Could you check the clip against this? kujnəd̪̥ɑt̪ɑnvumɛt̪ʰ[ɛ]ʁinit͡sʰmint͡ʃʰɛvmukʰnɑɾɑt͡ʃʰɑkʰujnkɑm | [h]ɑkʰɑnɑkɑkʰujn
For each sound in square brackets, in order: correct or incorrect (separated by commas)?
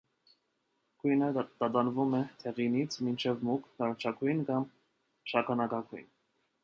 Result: correct, incorrect